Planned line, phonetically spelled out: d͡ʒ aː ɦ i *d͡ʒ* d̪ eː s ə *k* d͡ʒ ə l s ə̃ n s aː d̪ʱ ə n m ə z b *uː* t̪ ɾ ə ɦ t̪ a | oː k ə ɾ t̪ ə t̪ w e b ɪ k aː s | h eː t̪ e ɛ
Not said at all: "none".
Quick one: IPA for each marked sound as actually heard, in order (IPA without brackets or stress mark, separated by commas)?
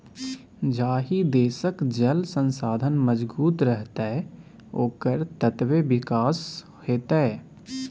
none, k, uː